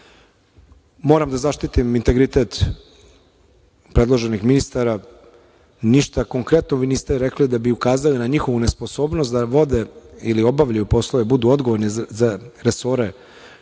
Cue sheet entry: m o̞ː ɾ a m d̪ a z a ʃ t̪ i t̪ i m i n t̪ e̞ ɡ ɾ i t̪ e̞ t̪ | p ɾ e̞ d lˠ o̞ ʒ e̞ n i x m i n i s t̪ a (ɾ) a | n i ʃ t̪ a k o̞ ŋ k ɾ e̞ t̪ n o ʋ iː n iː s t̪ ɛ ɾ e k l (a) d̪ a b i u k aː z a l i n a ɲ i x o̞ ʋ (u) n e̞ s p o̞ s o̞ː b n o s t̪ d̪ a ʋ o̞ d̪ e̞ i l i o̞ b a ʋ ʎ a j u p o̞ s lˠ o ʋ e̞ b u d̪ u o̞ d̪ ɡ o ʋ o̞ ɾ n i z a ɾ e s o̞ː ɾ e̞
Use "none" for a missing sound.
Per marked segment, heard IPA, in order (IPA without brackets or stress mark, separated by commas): ɾ, i, u